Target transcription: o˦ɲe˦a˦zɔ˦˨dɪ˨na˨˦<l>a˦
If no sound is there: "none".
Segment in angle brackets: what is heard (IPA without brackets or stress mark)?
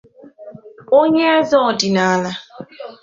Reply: l